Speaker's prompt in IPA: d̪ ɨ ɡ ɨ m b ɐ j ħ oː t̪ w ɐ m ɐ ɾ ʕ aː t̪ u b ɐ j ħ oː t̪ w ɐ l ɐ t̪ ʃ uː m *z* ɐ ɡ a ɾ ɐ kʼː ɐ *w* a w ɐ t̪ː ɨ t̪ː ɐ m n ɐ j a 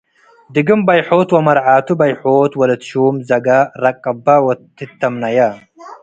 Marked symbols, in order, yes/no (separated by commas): yes, no